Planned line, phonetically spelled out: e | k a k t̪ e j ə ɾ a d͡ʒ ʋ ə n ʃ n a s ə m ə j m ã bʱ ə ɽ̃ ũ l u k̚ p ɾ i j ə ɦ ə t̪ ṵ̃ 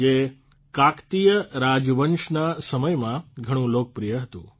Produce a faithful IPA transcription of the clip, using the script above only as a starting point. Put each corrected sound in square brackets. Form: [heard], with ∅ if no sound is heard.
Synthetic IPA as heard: e | k a k t̪ [i] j ə ɾ a d͡ʒ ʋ ə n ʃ n a s ə m ə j m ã [ɡʱ] ə ɽ̃ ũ l [o] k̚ p ɾ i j ə ɦ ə t̪ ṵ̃